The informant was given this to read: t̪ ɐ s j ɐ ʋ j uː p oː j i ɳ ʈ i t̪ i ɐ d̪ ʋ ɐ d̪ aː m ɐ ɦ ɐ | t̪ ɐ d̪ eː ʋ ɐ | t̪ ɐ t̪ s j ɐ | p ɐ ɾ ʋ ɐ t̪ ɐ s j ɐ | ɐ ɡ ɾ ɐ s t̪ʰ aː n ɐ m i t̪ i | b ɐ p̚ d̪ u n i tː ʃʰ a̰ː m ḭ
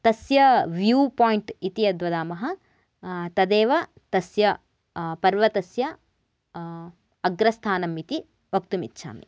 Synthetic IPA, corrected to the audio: t̪ ɐ s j ɐ ʋ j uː p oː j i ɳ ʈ i t̪ i ɐ d̪ ʋ ɐ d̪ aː m ɐ ɦ ɐ | t̪ ɐ d̪ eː ʋ ɐ | t̪ ɐ s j ɐ | p ɐ ɾ ʋ ɐ t̪ ɐ s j ɐ | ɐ ɡ ɾ ɐ s t̪ʰ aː n ɐ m i t̪ i | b ɐ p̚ t̪ u m i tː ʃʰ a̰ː m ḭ